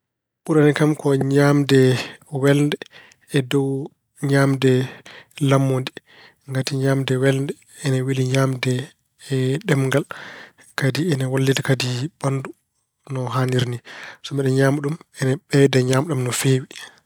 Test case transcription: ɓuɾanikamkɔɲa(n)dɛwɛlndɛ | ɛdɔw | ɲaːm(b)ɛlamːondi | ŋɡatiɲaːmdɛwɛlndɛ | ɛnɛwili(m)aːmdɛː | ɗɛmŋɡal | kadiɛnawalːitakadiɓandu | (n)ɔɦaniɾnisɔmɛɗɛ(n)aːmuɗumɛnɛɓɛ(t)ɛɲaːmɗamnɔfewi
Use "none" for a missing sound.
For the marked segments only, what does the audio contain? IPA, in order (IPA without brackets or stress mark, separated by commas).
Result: m, d, ɲ, n, ɲ, d